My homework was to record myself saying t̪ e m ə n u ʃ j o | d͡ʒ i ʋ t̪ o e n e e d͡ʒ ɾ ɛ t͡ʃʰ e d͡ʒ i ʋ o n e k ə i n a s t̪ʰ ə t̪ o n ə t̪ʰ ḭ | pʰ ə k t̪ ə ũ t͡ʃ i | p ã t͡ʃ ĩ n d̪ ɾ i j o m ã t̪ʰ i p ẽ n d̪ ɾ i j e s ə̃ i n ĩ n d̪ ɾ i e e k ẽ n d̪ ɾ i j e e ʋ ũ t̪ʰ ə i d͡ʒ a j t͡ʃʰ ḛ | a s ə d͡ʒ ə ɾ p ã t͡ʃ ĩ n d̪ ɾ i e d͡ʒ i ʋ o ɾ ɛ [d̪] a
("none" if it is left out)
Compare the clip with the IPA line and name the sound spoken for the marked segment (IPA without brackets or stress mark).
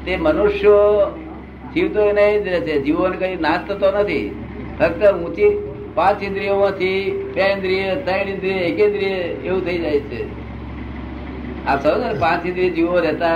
t̪